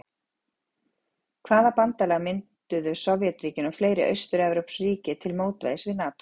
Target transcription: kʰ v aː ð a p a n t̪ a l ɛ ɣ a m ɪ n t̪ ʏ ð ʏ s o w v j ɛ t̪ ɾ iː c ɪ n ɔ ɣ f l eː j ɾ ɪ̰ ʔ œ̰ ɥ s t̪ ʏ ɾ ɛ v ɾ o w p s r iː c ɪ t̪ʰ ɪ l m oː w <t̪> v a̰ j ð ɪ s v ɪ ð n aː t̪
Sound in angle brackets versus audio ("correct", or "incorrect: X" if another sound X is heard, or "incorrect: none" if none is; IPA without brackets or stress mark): correct